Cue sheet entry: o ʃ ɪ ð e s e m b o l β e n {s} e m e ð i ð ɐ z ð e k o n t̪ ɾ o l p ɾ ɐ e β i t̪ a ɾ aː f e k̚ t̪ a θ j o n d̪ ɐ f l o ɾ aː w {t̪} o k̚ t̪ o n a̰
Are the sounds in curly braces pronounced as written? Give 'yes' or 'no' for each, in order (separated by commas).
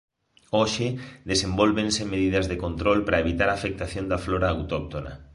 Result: yes, yes